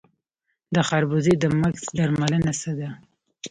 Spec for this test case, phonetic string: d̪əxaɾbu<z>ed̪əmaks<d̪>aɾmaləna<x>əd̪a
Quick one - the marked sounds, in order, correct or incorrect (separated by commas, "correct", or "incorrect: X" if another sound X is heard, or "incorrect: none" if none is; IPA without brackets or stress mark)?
correct, correct, incorrect: s